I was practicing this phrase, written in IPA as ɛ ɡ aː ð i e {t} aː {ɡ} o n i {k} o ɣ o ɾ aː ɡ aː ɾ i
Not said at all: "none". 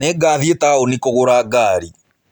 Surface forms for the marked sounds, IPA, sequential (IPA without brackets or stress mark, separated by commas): t, none, k